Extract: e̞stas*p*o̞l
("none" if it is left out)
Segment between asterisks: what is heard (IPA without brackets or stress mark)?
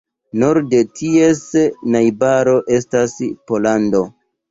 p